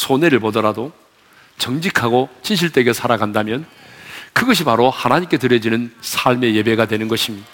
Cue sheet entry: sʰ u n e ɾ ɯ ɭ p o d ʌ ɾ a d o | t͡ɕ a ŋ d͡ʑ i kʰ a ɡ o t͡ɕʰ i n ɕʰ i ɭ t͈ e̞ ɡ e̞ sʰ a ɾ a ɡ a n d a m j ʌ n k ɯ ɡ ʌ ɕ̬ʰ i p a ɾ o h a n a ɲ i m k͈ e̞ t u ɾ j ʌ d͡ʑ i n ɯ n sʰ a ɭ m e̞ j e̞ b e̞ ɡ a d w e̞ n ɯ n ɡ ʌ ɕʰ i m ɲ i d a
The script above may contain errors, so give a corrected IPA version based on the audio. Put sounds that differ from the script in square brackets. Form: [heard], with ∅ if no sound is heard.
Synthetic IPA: sʰ [o] n e ɾ ɯ ɭ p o d ʌ ɾ a d o | t͡ɕ [ʌ] ŋ d͡ʑ i kʰ a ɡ o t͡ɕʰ i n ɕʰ i ɭ t͈ e̞ ɡ e̞ sʰ a ɾ a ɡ a n d a m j ʌ n k ɯ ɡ ʌ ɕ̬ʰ i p a ɾ o h a n a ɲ i m k͈ e̞ t [ɯ] ɾ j ʌ d͡ʑ i n ɯ n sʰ a ɭ m e̞ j e̞ b e̞ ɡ a d w e̞ n ɯ n ɡ ʌ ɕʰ i m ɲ i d a